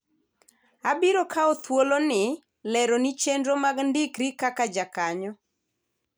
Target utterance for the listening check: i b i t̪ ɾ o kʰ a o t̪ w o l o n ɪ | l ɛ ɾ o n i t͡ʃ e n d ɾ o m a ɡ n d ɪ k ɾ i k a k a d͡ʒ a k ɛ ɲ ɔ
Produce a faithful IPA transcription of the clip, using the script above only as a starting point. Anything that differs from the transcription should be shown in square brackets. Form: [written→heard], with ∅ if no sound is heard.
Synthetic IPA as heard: [i→a] b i [t̪→∅] ɾ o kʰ a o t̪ w o l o n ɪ | l ɛ ɾ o n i t͡ʃ e n d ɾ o m a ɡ n d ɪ k ɾ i k a k a d͡ʒ a k [ɛ→a] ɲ ɔ